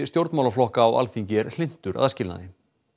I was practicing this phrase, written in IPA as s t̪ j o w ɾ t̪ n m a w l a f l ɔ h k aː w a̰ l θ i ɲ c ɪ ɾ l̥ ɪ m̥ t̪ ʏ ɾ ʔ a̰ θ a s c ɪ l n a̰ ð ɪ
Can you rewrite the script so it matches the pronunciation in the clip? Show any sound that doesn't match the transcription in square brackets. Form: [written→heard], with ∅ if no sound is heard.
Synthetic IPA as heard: s t̪ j o w ɾ t̪ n m a w l a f l ɔ h k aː w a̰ l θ i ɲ c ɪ ɾ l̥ ɪ [m̥→n̥] t̪ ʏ ɾ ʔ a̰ [θ→ð] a s c ɪ l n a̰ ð ɪ